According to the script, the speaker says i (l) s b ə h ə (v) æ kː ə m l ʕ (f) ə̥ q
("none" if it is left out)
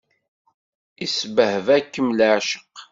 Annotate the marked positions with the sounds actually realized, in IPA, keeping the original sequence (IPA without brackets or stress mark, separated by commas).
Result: none, v, ʃ